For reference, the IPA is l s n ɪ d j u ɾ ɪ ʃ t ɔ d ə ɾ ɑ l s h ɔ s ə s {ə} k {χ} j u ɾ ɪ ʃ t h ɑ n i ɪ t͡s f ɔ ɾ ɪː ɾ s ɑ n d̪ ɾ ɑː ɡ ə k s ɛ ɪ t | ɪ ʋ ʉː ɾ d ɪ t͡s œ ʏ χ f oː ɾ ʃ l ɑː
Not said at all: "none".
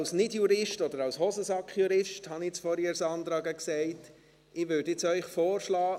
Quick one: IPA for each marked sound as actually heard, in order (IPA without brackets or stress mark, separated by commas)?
ɑ, χ